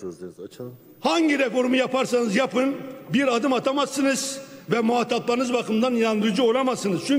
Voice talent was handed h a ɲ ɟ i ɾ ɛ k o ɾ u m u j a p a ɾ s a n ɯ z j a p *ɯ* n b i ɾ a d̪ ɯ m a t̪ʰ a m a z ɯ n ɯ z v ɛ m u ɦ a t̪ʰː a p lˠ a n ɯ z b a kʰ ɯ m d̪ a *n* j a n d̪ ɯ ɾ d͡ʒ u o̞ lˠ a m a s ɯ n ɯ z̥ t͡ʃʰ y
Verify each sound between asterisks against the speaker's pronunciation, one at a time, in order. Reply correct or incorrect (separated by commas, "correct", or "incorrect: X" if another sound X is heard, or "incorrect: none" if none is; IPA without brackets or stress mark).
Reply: correct, correct